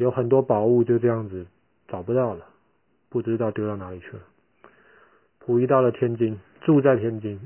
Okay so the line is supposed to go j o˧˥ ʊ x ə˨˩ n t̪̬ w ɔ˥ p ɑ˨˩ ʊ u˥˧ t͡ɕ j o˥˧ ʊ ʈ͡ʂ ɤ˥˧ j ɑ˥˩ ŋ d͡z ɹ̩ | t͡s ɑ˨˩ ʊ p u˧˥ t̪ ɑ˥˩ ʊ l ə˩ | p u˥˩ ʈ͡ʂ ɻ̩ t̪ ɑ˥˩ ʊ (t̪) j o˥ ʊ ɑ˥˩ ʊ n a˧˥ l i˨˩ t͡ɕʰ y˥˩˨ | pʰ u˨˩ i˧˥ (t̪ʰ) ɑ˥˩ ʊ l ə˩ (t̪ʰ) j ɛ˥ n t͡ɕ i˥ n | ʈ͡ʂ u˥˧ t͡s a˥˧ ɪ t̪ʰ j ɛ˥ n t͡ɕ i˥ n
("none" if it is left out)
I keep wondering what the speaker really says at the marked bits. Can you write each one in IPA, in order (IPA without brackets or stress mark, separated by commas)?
t̪, t̪, t̪ʰ